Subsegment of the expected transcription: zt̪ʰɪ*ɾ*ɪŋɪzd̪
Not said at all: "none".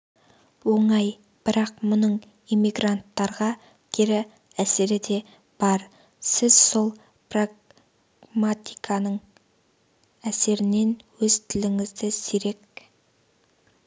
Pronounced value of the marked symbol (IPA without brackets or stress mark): l